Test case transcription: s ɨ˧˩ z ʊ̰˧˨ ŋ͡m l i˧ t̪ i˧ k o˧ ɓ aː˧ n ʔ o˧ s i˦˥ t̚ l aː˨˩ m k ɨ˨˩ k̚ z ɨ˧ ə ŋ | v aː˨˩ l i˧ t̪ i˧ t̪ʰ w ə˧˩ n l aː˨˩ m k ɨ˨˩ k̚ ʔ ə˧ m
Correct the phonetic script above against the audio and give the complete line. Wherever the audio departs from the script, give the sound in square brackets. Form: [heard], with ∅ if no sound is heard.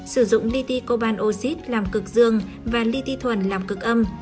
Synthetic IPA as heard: s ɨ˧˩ z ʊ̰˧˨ ŋ͡m l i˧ t̪ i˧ k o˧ ɓ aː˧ n ʔ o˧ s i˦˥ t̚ l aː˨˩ m k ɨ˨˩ k̚ z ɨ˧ ə ŋ | v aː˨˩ l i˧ t̪ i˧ t̪ʰ w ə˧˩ n l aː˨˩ m k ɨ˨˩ k̚ ʔ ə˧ m

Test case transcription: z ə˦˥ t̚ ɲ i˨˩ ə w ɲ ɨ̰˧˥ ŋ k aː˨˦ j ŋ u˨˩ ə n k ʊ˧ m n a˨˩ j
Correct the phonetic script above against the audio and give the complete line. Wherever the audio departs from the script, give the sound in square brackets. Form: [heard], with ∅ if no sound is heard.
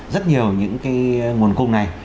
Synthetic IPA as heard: z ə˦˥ t̚ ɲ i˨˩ ə w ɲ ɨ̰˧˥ ŋ k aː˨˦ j ŋ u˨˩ ə n k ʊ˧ [ŋ͡m] n a˨˩ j

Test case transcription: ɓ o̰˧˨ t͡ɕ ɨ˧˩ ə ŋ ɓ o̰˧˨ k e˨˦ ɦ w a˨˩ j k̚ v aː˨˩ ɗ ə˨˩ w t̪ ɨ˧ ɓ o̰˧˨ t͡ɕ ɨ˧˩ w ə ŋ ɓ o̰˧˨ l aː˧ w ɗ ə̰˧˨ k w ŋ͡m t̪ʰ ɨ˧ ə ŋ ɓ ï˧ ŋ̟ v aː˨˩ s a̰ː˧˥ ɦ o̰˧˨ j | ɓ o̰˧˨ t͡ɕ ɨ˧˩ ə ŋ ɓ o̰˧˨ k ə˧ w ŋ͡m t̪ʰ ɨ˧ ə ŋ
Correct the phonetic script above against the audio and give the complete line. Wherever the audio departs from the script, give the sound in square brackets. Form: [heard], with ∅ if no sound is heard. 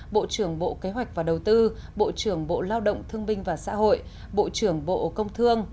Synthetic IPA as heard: ɓ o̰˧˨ t͡ɕ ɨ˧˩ ə ŋ ɓ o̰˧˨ k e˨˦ ɦ w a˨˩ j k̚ v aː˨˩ ɗ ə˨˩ w t̪ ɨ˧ ɓ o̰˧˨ t͡ɕ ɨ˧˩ [∅] ə ŋ ɓ o̰˧˨ l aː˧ w ɗ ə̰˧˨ [∅] w ŋ͡m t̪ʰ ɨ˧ ə ŋ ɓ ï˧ ŋ̟ v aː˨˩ s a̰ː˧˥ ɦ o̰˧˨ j | ɓ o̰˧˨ t͡ɕ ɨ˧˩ ə ŋ ɓ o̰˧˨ k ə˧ w ŋ͡m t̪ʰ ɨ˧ ə ŋ

